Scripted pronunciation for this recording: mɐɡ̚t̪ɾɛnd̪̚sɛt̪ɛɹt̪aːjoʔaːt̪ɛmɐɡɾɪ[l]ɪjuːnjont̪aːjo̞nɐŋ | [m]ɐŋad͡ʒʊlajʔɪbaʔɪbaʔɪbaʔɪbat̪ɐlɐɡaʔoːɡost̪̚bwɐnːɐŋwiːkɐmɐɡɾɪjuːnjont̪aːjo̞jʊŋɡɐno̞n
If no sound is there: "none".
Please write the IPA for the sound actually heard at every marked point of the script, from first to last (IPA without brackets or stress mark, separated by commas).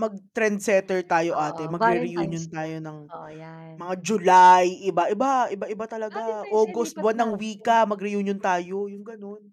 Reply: ɾ, m